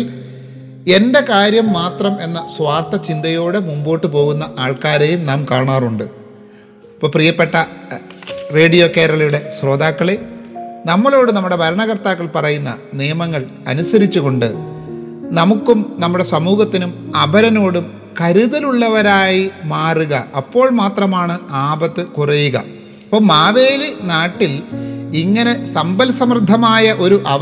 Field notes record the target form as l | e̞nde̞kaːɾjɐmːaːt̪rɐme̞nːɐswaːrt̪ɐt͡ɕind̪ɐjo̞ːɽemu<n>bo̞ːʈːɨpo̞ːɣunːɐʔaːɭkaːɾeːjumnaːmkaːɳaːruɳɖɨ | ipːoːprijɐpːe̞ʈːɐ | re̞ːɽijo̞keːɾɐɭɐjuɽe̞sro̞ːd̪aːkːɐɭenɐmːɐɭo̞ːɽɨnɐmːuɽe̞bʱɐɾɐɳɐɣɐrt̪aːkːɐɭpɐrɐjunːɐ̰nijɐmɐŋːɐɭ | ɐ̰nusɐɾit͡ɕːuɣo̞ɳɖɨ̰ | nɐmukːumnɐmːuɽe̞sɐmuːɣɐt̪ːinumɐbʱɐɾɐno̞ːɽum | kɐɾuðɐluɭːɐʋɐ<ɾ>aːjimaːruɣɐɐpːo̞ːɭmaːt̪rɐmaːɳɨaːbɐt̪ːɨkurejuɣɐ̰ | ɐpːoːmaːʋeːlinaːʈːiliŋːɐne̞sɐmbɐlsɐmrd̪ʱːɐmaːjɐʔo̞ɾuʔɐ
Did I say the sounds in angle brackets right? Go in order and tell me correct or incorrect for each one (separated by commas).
incorrect, correct